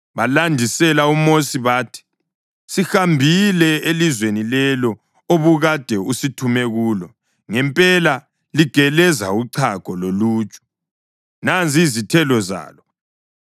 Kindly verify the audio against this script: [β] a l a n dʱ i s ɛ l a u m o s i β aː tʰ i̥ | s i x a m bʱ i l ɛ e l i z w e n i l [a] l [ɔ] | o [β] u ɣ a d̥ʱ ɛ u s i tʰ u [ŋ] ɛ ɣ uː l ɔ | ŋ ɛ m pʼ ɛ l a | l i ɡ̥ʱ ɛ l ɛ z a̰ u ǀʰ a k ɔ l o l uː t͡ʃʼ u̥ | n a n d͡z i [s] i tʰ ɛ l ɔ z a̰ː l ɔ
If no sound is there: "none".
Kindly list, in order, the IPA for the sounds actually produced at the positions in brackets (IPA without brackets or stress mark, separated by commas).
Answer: β, ɛ, ɔ, β, m, z